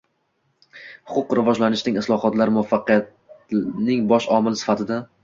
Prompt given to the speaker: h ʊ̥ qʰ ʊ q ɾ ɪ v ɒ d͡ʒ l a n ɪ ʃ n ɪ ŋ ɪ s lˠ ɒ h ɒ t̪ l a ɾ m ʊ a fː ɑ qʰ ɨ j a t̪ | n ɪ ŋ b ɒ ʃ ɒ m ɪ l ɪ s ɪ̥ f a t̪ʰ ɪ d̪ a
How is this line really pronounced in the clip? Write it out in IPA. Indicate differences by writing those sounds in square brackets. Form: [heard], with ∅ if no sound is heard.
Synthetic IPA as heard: h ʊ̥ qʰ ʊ q ɾ ɪ v ɒ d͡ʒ l a n ɪ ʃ n ɪ ŋ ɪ s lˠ ɒ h ɒ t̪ l a ɾ m ʊ a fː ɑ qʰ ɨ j a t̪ | n ɪ ŋ b ɒ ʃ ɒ m ɪ l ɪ s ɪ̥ f a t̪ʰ ɪ d̪ a

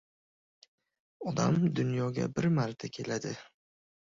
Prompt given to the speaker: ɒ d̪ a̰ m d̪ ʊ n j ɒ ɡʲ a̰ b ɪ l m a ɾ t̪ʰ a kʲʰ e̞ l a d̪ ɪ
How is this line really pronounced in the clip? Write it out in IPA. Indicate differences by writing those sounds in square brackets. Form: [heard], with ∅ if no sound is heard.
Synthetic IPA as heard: ɒ d̪ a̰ m d̪ ʊ n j ɒ ɡʲ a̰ b ɪ [ɾ] m a ɾ t̪ʰ a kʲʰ e̞ l a d̪ ɪ

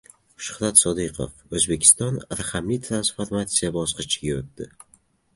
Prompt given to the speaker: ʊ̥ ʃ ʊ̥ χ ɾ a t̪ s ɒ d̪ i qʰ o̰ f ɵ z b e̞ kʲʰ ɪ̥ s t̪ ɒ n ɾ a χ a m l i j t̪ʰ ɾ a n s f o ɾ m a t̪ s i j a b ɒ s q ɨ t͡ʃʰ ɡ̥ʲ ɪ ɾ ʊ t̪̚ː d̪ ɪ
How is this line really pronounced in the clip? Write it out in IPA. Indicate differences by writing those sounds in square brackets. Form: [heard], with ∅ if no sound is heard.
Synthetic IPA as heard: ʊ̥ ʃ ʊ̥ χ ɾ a t̪ s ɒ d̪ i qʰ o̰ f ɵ z b e̞ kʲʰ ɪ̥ s t̪ ɒ n ɾ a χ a m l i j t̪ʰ ɾ a n s f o ɾ m a t̪ s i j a b ɒ s q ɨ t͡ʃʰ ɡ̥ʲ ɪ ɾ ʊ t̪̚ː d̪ ɪ

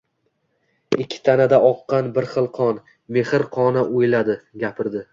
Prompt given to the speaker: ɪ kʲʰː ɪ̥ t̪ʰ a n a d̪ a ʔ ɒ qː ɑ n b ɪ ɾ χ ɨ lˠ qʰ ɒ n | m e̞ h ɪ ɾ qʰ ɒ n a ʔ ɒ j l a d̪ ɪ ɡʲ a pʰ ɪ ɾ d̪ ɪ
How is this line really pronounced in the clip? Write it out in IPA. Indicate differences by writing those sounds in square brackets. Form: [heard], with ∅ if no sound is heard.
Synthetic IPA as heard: ɪ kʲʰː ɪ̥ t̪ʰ a n a d̪ a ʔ ɒ qː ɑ n b ɪ ɾ χ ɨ lˠ qʰ ɒ n | m e̞ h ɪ ɾ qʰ ɒ n a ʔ [o] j l a d̪ ɪ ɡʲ a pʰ ɪ ɾ d̪ ɪ

